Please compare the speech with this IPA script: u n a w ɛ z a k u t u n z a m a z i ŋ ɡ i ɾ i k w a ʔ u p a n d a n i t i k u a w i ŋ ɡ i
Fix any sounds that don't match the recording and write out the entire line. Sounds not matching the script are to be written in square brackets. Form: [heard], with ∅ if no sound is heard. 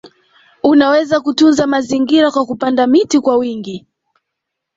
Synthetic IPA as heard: u n a w ɛ z a k u t u n z a m a z i ŋ ɡ i ɾ [a] k w a [k] u p a n d a [m] i t i k [w] a w i ŋ ɡ i